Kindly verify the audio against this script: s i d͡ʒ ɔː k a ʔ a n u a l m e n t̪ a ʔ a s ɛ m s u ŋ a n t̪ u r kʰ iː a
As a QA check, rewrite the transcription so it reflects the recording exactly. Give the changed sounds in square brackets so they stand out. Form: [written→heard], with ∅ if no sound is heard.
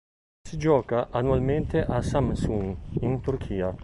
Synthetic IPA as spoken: s i d͡ʒ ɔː k a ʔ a n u a l m e n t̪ [a→e] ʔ a s [ɛ→a] m s u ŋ [a→i] n t̪ u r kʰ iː a